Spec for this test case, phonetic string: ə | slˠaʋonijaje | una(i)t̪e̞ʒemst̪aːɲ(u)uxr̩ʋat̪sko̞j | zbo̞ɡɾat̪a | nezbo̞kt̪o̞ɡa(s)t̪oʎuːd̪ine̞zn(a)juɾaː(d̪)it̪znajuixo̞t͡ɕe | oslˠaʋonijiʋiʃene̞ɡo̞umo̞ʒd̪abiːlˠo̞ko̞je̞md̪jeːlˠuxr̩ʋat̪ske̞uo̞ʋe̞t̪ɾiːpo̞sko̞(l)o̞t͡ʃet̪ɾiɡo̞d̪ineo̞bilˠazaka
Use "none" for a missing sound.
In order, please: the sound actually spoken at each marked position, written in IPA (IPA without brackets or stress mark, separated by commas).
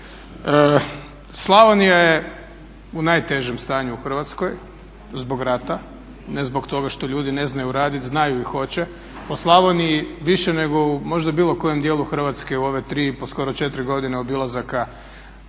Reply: j, u, ʃ, a, d̪, ɾ